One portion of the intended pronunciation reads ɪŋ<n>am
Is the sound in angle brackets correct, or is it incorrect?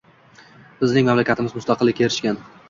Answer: incorrect: m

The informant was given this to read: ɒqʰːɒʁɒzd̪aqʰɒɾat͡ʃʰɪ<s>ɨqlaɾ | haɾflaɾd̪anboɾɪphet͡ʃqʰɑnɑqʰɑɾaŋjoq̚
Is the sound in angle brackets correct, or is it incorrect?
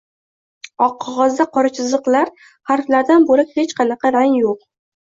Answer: incorrect: z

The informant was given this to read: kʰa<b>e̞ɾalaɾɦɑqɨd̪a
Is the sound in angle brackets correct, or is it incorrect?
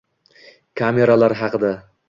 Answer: incorrect: m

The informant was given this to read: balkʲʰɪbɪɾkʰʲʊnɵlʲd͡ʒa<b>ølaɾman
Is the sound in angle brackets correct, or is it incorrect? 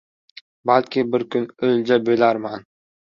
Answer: correct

